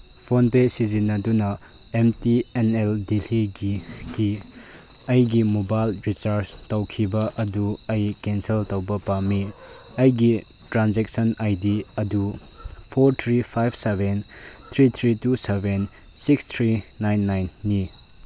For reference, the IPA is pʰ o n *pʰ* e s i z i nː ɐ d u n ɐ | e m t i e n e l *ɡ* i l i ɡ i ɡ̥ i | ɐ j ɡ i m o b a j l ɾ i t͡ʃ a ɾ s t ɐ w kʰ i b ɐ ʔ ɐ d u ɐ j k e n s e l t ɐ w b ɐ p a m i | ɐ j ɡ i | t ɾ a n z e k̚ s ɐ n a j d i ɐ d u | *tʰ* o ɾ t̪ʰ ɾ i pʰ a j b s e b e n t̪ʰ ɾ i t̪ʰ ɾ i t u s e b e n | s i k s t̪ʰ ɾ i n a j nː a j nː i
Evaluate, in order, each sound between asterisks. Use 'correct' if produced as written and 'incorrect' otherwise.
incorrect: p, incorrect: d, incorrect: pʰ

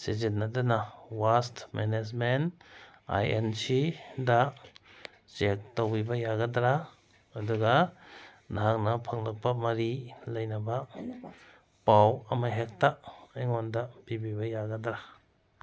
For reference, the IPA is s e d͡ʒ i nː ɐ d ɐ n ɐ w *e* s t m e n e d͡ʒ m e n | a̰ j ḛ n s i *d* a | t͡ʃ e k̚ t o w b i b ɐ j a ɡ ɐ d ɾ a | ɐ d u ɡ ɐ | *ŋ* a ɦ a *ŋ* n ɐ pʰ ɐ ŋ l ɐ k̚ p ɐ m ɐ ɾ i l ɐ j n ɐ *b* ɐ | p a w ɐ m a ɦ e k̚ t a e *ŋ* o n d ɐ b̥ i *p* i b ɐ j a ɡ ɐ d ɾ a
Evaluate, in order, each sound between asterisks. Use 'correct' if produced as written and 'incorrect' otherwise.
incorrect: a, correct, incorrect: n, correct, correct, correct, incorrect: b

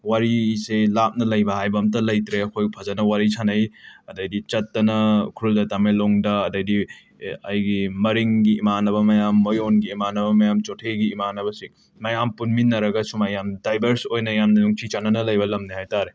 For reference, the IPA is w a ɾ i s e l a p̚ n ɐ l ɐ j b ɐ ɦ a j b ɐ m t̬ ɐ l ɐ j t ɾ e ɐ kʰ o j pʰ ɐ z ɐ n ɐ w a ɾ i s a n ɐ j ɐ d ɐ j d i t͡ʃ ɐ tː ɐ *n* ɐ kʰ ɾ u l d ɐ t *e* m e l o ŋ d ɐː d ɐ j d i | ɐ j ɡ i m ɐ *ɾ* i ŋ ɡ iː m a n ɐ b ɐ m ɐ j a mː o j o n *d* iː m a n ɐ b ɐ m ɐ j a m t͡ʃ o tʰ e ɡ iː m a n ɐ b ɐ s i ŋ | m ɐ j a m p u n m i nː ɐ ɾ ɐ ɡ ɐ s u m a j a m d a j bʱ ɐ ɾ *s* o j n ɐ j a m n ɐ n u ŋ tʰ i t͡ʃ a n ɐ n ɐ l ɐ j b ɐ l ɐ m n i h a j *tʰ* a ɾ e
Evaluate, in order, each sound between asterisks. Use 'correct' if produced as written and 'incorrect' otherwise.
correct, incorrect: a, correct, incorrect: ɡ, correct, incorrect: t

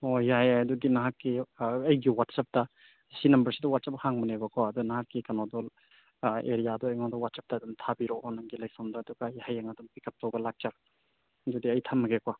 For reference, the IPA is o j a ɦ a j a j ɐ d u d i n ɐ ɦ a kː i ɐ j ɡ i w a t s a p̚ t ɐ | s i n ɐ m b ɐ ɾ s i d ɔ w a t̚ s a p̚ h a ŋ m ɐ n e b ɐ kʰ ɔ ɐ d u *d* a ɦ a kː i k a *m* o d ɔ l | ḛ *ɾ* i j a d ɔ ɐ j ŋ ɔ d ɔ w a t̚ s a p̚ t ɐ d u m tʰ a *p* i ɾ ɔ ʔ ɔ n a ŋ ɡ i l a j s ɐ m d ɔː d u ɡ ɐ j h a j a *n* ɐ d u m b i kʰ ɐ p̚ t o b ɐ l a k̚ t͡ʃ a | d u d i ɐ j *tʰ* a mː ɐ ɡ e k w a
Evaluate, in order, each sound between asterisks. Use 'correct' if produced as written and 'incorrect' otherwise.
incorrect: n, incorrect: n, correct, incorrect: b, incorrect: ŋ, correct

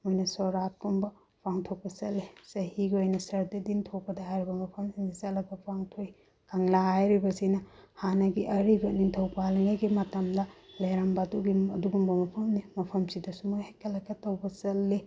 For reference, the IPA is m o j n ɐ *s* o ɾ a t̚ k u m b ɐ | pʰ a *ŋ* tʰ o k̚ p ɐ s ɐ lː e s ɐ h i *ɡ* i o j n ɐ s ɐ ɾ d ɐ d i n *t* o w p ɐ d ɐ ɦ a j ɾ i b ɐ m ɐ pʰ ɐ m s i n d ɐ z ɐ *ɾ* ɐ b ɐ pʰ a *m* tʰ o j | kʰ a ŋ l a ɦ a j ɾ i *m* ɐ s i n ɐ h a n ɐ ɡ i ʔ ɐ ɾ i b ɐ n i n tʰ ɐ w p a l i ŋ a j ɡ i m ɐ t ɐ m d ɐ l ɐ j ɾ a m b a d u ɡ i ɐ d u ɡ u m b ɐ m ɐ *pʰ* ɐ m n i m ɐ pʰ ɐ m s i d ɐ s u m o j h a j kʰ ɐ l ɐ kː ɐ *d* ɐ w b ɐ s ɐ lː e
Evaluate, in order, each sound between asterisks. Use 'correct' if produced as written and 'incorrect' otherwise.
correct, correct, correct, incorrect: tʰ, incorrect: l, incorrect: ŋ, incorrect: b, correct, incorrect: t

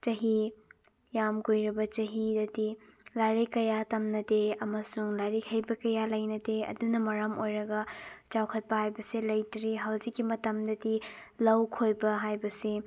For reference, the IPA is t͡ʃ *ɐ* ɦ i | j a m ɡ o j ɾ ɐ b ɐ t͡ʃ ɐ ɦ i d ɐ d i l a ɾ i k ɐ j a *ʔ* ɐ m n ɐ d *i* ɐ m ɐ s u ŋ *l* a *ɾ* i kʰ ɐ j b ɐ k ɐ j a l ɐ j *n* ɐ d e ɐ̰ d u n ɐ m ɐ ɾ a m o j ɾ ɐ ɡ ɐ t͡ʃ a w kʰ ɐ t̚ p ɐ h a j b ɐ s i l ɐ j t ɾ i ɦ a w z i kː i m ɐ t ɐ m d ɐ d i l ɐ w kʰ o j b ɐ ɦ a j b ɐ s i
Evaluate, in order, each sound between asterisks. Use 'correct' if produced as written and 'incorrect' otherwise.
correct, incorrect: t, incorrect: e, correct, correct, correct

